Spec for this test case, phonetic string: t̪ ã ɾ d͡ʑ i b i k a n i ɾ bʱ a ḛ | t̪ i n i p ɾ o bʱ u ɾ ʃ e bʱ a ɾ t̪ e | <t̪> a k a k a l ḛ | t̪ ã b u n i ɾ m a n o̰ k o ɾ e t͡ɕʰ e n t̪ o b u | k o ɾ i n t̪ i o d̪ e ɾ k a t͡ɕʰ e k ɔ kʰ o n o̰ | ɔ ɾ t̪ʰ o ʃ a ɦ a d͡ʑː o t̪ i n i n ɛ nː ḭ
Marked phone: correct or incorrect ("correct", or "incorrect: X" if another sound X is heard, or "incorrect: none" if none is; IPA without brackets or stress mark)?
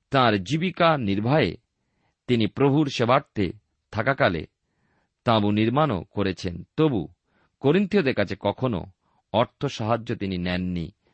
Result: incorrect: t̪ʰ